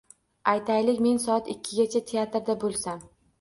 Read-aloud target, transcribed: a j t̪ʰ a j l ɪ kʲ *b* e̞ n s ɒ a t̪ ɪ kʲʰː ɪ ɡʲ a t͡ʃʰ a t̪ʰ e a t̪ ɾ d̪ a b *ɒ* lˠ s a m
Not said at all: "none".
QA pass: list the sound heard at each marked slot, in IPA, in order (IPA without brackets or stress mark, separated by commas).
m, o